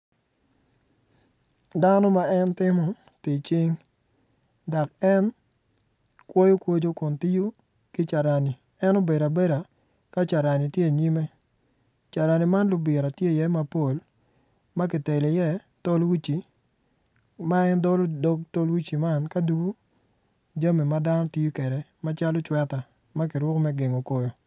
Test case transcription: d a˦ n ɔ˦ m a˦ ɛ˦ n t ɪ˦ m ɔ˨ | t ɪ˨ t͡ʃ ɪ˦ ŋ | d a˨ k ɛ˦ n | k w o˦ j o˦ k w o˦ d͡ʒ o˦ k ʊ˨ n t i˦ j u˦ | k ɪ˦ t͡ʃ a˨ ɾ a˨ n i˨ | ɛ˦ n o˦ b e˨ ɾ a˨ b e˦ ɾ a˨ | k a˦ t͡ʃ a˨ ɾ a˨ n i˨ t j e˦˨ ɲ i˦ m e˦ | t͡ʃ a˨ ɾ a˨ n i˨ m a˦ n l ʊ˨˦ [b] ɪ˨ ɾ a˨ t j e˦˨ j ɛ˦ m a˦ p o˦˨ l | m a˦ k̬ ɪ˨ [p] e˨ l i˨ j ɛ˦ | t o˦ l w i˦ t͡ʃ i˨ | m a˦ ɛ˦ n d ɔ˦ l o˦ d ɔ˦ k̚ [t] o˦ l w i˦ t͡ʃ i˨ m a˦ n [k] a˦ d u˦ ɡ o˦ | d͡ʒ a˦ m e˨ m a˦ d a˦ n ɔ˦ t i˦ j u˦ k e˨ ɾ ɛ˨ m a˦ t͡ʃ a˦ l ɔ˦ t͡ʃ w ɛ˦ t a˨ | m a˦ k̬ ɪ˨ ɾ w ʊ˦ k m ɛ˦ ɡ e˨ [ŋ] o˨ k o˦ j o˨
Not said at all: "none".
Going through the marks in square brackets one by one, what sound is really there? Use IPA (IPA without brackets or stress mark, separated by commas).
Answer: b, t, t, k, ŋ